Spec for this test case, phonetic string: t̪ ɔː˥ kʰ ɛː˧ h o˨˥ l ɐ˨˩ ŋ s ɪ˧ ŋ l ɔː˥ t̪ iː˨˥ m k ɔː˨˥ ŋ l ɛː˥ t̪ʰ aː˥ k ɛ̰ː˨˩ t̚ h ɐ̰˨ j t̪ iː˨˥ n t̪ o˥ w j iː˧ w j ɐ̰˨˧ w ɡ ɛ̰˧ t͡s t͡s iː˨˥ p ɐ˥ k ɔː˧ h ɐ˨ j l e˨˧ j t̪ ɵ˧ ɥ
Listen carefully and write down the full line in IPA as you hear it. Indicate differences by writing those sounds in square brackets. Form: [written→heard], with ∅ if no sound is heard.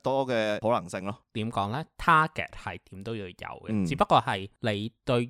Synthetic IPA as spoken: t̪ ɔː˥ [kʰ→k] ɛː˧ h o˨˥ l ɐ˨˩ ŋ s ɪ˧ ŋ l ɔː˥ t̪ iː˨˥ m k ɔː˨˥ ŋ l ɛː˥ t̪ʰ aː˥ k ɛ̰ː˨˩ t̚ h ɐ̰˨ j t̪ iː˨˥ [n→m] t̪ o˥ w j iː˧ w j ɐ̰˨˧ w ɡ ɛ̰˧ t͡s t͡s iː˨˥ p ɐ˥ k ɔː˧ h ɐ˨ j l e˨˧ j t̪ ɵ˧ ɥ